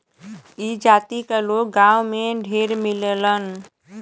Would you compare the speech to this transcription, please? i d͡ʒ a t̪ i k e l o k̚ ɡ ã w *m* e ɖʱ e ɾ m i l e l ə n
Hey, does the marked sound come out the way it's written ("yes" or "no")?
yes